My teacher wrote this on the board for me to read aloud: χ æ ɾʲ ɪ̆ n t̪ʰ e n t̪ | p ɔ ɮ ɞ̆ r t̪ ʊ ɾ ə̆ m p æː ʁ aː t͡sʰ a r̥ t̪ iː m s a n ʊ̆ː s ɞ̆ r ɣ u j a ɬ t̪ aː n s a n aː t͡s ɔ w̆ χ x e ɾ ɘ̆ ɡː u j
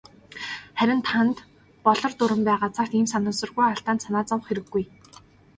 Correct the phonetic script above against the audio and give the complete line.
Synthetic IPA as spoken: χ æ ɾʲ ɪ̆ n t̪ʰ a n t̪ | p ɔ ɮ ɞ̆ r t̪ ʊ ɾ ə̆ m p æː ʁ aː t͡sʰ a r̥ t̪ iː m s a n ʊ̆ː s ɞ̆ r ɣ u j a ɬ t̪ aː n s a n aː t͡s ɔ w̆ χ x e ɾ ɘ̆ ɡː u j

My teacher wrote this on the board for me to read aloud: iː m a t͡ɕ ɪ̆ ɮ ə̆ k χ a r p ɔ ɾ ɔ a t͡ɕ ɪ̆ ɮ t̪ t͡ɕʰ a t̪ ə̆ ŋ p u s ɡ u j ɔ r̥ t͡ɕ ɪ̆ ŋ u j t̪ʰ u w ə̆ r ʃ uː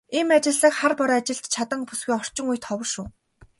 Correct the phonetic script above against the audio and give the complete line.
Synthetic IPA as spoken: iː m a t͡ɕ ɪ̆ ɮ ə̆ k χ a r p ɔ ɾ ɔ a t͡ɕ ɪ̆ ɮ t̪ t͡ɕʰ a t̪ ə̆ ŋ p u s ɡ u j ɔ r̥ t͡ɕ ɪ̆ ŋ u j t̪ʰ ɔ w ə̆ r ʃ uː

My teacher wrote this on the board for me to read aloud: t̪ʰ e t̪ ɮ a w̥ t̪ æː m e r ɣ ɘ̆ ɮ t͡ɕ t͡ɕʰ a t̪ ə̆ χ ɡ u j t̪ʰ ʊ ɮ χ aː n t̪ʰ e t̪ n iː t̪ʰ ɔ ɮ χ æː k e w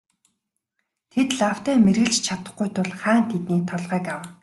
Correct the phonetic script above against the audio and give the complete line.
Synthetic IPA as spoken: t̪ʰ e t̪ ɮ a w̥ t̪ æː m e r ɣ ɘ̆ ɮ t͡ɕ t͡ɕʰ a t̪ ə̆ χ ɡ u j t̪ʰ ʊ ɮ χ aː n t̪ʰ e t̪ n iː t̪ʰ ɔ ɮ ʁ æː k a w

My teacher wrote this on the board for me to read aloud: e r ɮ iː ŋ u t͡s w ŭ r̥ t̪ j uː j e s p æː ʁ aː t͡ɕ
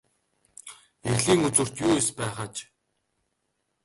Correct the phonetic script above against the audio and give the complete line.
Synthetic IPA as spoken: e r ɮ iː ŋ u t͡s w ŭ r̥ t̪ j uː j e s p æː χ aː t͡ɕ

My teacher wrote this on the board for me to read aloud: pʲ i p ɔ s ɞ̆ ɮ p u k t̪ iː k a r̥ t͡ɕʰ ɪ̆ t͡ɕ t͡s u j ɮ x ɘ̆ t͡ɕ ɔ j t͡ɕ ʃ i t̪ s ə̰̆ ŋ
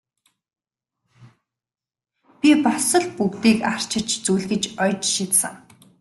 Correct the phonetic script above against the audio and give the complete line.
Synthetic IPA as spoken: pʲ i p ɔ s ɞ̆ ɮ p u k t̪ iː k a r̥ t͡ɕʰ ɪ̆ t͡ɕ t͡s u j ɮ ɣ ɘ̆ t͡ɕ ɔ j t͡ɕ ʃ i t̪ s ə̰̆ ŋ

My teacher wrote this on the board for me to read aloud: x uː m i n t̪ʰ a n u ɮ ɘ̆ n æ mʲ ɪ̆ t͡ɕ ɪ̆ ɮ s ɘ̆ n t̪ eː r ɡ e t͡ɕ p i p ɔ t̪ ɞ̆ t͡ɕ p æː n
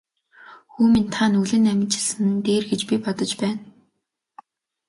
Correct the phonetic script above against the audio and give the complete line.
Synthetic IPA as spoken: x uː m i n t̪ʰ a n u ɮ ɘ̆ n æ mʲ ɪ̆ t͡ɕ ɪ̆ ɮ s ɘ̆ n t̪ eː r ɡ e t͡ɕ p i p ɔ t̪ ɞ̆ t͡ɕ p æː n

